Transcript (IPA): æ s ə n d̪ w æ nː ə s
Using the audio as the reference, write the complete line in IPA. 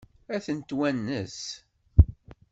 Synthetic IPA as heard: æ θ ə n t̪ w æ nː ə s